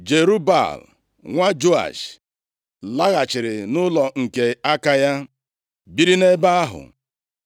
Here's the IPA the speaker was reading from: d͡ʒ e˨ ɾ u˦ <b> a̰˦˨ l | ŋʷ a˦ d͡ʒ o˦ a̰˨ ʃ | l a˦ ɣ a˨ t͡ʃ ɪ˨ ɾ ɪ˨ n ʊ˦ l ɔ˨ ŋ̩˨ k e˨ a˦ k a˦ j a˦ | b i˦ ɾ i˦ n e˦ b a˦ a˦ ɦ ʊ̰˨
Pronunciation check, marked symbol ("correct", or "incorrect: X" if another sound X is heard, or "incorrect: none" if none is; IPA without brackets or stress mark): correct